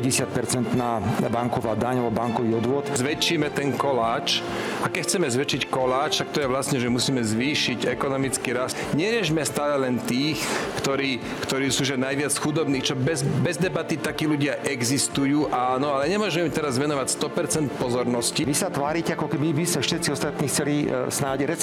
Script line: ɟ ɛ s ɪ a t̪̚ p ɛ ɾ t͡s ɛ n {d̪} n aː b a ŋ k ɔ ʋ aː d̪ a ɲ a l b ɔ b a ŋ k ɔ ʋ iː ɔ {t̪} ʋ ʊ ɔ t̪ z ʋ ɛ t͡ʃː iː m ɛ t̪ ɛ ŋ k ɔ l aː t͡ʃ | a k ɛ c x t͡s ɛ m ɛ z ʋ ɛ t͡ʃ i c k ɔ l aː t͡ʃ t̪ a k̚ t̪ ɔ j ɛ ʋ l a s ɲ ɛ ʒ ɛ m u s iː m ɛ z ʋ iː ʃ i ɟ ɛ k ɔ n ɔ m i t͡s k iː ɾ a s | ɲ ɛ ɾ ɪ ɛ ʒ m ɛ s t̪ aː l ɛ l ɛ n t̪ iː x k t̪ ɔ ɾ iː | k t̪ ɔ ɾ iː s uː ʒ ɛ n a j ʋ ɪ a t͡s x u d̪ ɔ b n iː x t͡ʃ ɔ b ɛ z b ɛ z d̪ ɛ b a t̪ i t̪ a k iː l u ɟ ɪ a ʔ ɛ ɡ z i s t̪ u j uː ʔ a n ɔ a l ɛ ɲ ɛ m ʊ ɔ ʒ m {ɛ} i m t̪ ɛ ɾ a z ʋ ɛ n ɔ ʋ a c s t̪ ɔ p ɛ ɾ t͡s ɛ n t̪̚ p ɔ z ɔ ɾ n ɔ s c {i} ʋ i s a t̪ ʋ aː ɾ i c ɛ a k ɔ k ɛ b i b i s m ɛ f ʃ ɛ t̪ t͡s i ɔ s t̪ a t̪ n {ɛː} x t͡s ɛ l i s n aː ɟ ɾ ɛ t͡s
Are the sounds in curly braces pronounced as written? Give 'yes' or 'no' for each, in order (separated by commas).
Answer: no, no, yes, yes, no